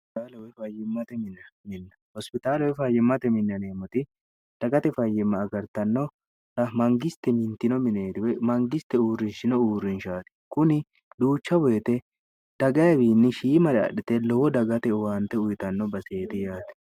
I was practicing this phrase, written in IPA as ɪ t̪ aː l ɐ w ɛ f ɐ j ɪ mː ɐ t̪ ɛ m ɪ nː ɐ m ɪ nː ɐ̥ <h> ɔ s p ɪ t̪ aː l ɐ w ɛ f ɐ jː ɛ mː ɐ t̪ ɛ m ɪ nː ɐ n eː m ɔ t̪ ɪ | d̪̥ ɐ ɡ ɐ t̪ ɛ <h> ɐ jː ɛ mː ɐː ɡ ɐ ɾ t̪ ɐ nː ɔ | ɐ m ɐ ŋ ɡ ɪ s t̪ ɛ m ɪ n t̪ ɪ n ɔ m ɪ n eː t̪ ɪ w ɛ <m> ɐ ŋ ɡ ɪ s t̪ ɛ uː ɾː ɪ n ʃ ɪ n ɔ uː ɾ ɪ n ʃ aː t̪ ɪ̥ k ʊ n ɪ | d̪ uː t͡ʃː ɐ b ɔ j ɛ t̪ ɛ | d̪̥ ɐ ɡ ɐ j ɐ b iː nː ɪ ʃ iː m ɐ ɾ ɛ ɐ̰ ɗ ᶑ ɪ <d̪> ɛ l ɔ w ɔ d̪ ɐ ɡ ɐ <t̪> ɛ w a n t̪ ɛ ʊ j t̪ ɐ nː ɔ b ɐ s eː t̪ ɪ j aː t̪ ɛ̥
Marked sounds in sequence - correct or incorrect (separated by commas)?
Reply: correct, incorrect, correct, incorrect, correct